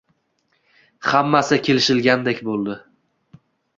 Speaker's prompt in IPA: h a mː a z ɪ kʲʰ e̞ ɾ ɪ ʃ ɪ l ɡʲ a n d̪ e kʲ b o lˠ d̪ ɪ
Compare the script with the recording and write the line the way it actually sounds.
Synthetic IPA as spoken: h a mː a s ɪ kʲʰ e̞ l ɪ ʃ ɪ l ɡʲ a n d̪ e kʲ b o lˠ d̪ ɪ